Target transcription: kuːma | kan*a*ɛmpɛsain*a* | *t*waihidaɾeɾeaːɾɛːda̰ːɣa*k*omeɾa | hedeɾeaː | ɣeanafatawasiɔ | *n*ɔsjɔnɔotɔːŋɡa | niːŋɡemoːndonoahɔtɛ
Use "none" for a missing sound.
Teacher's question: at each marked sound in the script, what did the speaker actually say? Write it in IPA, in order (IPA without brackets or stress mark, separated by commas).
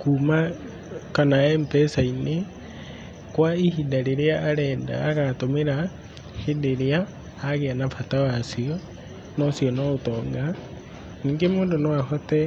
a, e, k, t, n